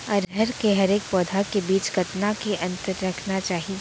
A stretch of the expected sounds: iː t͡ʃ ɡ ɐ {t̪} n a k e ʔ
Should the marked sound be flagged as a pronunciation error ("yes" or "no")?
no